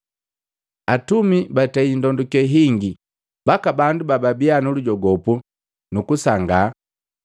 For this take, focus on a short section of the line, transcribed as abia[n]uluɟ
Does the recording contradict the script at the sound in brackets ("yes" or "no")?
no